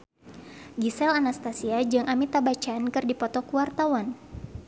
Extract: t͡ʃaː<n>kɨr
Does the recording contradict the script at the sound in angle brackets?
no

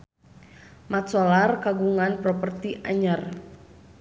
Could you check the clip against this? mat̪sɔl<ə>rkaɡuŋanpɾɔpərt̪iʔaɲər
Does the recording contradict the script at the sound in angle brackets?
yes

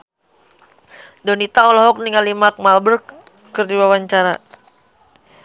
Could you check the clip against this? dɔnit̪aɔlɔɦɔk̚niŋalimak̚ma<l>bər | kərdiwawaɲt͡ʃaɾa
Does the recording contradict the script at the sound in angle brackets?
no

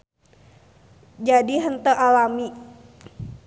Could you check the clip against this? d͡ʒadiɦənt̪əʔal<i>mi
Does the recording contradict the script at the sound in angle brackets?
yes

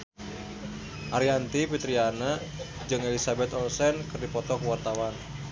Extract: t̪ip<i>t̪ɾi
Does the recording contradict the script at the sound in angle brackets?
no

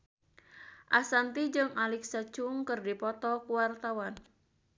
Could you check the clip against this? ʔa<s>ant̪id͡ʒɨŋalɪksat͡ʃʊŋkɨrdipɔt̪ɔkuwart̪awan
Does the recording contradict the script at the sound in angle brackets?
no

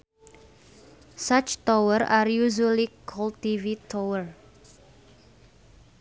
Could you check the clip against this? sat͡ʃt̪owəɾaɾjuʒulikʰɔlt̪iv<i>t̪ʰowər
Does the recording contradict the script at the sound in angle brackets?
no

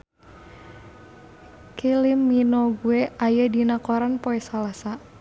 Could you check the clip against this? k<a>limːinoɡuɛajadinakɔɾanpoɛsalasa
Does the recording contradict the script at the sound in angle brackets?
yes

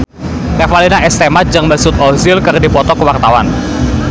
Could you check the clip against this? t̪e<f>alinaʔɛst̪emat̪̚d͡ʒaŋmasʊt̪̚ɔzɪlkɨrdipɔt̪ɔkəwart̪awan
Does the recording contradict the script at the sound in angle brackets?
no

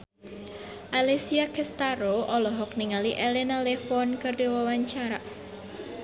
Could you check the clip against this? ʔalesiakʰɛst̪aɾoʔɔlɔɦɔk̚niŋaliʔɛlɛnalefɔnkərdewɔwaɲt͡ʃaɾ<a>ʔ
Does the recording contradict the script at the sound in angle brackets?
no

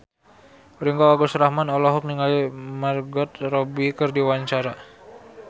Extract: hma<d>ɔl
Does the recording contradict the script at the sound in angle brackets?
yes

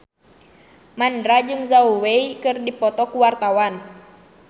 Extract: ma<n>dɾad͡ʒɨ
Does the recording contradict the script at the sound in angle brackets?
no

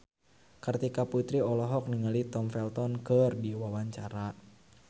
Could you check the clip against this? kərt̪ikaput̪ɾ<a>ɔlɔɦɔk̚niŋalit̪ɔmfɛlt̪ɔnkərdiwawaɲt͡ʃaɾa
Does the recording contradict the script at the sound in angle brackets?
yes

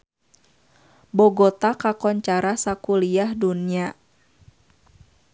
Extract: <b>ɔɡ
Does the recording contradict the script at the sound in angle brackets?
no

